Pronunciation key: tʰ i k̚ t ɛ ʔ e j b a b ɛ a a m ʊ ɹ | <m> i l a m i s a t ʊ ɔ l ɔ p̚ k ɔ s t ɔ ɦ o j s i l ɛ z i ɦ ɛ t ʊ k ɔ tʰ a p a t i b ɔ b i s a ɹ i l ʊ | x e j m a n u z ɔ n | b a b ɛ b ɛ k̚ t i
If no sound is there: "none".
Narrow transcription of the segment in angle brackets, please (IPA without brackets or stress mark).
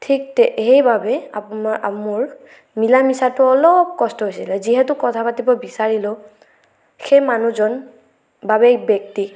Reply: m